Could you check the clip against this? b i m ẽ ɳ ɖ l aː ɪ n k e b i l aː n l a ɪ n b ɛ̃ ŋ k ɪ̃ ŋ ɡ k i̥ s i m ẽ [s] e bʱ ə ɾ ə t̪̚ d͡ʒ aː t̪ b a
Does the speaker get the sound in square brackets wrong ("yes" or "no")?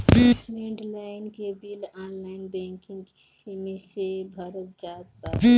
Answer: no